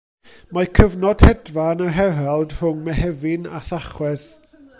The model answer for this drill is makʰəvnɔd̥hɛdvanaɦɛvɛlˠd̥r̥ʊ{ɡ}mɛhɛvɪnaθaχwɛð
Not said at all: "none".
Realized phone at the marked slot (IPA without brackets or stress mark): ŋ